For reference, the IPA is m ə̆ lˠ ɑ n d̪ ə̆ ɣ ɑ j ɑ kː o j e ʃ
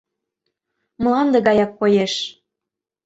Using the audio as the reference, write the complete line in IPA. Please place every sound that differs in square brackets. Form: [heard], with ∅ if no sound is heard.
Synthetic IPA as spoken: m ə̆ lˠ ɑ n d̪ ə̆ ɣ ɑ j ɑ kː o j e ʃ